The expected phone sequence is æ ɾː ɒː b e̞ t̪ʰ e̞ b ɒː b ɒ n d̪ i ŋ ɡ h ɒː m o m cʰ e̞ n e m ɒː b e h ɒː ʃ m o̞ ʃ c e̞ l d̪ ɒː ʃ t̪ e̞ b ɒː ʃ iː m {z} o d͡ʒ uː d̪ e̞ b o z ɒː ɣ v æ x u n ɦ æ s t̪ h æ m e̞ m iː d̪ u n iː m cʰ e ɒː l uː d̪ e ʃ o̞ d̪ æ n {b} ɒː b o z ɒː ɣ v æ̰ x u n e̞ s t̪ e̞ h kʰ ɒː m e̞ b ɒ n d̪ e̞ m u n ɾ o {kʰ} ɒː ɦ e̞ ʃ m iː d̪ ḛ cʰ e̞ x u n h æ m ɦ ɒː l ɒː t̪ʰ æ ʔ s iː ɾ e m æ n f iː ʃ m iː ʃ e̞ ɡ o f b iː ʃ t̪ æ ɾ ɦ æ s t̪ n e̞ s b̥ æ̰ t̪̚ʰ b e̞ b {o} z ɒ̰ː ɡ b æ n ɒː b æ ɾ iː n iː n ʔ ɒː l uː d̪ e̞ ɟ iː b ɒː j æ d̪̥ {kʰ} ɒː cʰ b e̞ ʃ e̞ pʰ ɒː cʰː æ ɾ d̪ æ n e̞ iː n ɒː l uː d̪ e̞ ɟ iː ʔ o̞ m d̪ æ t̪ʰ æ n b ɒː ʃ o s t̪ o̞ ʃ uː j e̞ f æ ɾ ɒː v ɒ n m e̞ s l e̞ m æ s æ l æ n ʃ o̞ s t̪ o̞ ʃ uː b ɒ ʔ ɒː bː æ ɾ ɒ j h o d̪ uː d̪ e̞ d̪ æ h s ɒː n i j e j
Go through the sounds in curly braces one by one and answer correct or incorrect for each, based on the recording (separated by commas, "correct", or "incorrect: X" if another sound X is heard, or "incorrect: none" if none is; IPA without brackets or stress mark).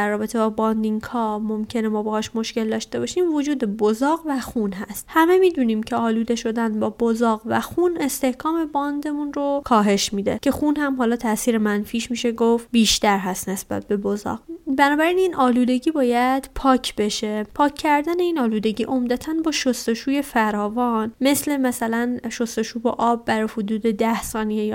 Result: incorrect: v, correct, correct, correct, incorrect: pʰ